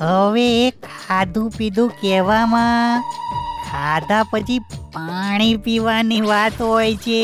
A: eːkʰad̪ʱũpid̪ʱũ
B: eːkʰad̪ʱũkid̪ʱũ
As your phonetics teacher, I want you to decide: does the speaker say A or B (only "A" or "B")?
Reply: A